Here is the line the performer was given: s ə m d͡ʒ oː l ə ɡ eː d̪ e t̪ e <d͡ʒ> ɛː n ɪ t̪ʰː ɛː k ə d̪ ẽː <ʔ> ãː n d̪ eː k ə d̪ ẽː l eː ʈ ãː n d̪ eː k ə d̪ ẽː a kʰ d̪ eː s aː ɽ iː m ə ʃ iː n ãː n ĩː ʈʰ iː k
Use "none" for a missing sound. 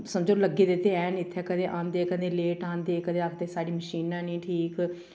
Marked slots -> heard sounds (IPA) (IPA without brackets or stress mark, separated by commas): none, ʔ